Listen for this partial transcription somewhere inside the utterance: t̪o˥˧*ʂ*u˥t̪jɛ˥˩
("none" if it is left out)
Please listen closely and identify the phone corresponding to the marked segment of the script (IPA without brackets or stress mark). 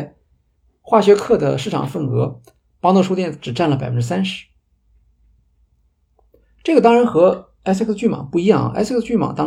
ʂ